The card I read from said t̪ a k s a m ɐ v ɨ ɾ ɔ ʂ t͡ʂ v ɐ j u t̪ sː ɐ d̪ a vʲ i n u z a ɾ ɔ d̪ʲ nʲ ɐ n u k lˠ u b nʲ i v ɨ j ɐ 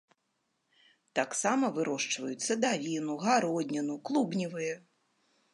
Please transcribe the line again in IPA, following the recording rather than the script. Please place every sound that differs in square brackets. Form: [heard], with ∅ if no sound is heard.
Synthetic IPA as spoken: t̪ a k s a m ɐ v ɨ ɾ ɔ ʂ t͡ʂ v ɐ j u t̪ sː ɐ d̪ a vʲ i n u [ɣ] a ɾ ɔ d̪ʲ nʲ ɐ n u k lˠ u b nʲ i v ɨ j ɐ